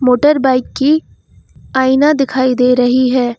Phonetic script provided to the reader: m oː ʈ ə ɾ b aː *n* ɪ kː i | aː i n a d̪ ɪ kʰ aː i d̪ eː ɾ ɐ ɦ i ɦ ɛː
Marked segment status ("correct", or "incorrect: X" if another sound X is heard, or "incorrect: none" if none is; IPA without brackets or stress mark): incorrect: none